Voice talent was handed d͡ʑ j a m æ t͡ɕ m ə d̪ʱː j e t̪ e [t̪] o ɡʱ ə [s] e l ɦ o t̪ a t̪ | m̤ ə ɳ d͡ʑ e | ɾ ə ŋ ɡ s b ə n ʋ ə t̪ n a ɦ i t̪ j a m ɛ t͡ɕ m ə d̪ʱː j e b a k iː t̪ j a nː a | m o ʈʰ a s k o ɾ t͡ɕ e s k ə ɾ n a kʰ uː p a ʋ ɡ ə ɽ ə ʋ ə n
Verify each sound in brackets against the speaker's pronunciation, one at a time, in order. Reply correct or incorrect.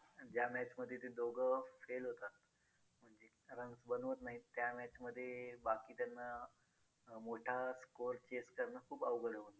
incorrect, incorrect

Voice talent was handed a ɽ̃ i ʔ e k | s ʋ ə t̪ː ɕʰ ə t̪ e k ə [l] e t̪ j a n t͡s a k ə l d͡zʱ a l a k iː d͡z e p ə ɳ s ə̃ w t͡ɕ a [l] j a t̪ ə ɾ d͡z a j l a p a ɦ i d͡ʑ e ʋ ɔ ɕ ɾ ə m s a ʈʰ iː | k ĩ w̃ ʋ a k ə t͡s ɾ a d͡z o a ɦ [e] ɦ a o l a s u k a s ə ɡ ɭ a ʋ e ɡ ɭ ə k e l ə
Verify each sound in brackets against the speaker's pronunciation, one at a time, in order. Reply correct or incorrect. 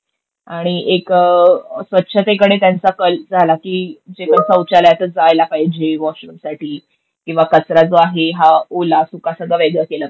incorrect, correct, correct

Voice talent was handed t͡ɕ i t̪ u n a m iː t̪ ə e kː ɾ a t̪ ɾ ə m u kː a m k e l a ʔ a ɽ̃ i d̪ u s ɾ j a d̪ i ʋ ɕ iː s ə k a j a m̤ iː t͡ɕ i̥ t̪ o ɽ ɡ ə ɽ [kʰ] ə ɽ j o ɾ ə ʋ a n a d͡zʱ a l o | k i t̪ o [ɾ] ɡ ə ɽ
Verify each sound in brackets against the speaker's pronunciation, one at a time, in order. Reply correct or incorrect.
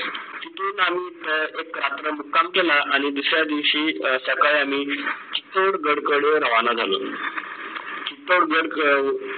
incorrect, incorrect

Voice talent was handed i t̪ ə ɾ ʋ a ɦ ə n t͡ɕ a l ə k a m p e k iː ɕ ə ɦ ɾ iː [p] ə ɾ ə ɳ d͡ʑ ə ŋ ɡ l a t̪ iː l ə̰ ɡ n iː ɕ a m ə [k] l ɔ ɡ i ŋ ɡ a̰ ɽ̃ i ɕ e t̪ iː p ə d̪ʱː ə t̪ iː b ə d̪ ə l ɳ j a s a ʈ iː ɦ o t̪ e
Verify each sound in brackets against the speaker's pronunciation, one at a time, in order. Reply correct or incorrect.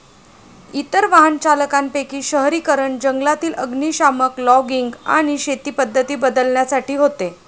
incorrect, correct

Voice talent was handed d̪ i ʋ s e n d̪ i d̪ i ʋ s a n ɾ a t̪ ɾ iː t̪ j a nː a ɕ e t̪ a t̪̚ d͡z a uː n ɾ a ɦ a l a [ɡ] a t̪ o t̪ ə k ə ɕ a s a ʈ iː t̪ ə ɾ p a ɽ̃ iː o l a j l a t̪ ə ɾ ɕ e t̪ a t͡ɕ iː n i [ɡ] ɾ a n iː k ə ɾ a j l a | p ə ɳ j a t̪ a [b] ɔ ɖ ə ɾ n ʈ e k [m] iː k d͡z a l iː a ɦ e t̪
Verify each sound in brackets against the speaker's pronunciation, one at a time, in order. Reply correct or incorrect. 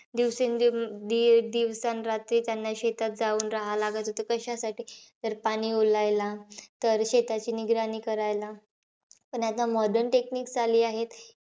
correct, correct, incorrect, incorrect

